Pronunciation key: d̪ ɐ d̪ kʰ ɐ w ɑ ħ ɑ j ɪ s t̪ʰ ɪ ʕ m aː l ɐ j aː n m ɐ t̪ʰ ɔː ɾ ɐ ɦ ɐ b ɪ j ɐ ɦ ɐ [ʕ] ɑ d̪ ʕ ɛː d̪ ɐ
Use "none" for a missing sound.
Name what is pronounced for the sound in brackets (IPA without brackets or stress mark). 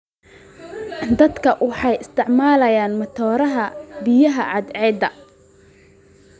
ʕ